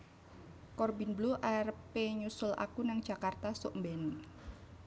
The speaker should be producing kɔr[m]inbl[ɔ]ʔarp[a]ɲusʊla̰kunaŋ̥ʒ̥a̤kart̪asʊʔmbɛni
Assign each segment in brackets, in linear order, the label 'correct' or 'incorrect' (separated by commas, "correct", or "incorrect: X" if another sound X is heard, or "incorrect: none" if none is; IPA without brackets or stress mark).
incorrect: b, incorrect: u, incorrect: e